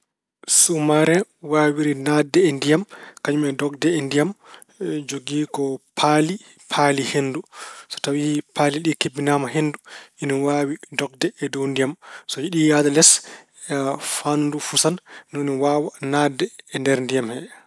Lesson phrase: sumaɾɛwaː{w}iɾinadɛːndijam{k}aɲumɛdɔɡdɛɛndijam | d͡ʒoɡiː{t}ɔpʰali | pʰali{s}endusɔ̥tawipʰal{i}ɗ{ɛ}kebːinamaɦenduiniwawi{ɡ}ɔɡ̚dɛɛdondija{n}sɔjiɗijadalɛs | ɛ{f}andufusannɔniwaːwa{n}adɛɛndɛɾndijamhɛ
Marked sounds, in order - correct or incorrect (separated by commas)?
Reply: correct, correct, incorrect, incorrect, correct, incorrect, incorrect, incorrect, correct, correct